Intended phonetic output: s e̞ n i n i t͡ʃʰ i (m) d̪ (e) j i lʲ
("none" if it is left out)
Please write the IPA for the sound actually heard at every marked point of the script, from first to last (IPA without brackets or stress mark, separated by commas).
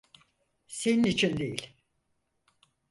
n, e